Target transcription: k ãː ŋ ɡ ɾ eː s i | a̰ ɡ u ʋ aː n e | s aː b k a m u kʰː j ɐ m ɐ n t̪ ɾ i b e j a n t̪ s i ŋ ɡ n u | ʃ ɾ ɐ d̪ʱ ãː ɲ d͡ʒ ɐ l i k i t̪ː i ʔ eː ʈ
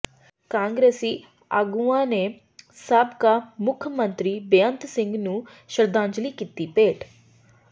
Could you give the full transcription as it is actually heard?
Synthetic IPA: k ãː ŋ ɡ ɾ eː s i | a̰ ɡ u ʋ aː n e | s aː b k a m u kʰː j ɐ m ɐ n t̪ ɾ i b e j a n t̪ s i ŋ ɡ n u | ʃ ɾ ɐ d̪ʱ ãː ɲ d͡ʒ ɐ l i k i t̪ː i p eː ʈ